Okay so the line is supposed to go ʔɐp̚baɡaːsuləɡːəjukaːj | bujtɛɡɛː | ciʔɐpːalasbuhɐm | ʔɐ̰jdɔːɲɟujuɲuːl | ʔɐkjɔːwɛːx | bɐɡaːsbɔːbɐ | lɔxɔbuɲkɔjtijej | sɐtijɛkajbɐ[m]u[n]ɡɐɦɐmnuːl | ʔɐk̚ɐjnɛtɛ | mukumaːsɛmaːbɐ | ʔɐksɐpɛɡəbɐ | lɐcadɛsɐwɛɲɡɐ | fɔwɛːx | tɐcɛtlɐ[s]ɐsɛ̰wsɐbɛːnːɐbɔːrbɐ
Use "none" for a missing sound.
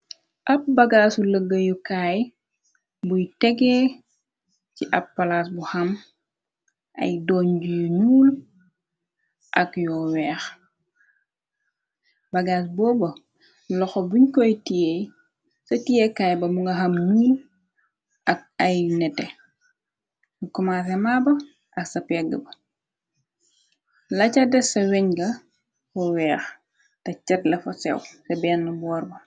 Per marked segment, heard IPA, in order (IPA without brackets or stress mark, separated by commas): m, ŋ, f